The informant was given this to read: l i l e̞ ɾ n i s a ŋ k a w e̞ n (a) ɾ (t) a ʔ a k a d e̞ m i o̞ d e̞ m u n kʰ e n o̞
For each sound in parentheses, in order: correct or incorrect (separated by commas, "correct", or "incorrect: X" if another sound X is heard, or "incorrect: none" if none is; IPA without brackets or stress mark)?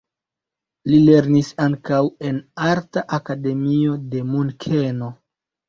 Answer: correct, correct